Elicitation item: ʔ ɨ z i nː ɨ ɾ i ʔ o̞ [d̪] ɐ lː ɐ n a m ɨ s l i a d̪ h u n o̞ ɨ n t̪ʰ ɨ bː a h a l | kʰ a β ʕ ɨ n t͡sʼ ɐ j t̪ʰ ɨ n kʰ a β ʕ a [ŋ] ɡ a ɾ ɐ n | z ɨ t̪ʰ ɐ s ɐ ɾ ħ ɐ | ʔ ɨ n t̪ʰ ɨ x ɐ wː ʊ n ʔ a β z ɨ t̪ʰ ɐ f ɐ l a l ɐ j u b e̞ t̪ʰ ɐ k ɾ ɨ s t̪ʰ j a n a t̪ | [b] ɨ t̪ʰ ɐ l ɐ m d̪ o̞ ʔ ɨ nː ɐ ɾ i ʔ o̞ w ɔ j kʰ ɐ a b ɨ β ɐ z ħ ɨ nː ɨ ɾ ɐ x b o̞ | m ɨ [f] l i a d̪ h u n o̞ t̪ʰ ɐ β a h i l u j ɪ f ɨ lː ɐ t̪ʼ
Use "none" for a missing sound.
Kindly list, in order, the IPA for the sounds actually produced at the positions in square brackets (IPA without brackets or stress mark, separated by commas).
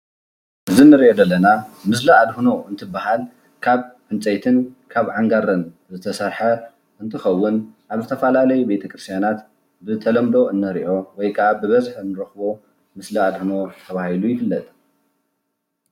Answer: d̪, ŋ, b, s